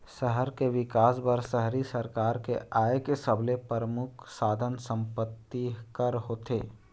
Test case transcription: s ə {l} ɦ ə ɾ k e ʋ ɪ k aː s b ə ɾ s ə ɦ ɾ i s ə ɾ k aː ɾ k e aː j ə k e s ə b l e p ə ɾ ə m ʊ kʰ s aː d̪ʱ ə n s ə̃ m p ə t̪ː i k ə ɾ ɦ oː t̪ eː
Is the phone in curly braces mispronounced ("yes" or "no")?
yes